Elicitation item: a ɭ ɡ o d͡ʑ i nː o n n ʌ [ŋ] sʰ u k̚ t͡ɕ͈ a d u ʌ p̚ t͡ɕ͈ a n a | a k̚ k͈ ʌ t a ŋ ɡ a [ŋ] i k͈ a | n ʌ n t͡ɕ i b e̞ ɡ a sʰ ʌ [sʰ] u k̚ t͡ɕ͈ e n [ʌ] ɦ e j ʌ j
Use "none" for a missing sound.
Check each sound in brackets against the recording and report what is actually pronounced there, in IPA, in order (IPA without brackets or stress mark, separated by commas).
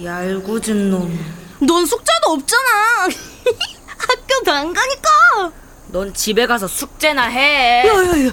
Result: n, ɲ, sʰ, a